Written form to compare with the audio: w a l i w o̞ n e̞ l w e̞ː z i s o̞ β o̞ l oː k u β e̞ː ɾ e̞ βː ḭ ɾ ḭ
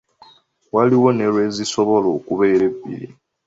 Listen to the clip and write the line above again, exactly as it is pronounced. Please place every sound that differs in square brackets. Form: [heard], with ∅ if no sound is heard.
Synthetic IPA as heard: w a l i w o̞ n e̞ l w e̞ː z i s o̞ β o̞ l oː k u β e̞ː ɾ e̞ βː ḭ ɾ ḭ